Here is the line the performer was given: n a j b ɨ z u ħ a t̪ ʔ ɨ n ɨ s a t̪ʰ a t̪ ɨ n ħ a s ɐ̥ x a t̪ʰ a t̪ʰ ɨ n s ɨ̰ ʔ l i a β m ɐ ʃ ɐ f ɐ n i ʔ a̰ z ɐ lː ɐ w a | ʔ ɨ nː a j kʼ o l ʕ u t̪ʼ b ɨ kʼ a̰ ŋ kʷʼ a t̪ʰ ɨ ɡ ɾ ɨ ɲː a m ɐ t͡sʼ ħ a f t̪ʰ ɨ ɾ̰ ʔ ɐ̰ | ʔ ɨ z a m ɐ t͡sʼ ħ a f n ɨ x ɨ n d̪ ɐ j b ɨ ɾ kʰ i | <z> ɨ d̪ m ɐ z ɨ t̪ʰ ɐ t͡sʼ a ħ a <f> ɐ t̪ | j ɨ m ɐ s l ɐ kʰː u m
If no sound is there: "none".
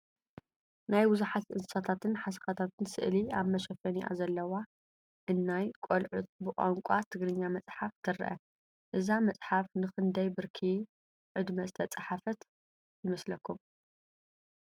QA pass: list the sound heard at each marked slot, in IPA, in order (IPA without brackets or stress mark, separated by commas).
ʕ, f